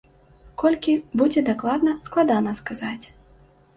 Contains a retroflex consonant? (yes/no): no